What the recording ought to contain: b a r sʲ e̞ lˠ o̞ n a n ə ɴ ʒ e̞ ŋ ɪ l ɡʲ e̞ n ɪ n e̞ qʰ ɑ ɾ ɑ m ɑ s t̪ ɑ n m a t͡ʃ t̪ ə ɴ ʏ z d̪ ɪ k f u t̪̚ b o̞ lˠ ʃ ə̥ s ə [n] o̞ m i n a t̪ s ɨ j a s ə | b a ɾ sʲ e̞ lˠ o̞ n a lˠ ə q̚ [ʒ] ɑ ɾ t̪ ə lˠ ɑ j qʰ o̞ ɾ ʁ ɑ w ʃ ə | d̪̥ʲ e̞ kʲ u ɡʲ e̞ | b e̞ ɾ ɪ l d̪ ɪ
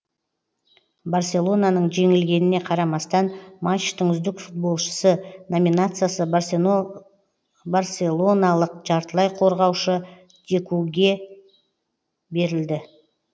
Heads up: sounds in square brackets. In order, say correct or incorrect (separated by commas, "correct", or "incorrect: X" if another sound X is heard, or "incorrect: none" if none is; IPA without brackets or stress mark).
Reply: correct, correct